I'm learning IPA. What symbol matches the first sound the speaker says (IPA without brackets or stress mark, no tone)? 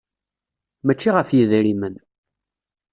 m